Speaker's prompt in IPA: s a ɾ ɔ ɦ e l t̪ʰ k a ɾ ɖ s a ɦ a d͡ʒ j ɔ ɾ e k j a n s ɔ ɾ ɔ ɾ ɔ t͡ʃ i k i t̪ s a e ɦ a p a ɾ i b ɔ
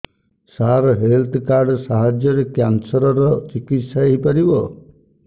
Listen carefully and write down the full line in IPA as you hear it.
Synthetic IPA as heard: s a ɾ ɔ ɦ e l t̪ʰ k a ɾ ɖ s a ɦ a d͡ʒ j ɔ ɾ e k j a n s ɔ ɾ ɔ ɾ ɔ t͡ʃ i k i t̪ s a e ɦ i p a ɾ i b ɔ